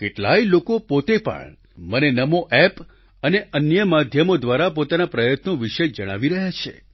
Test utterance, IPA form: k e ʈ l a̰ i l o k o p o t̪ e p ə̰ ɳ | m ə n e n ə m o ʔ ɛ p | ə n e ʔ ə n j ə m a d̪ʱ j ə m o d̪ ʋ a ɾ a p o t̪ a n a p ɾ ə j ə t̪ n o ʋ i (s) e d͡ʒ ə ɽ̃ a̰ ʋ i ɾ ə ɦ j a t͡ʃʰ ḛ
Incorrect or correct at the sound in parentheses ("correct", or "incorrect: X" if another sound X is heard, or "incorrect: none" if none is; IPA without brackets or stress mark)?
incorrect: ʃ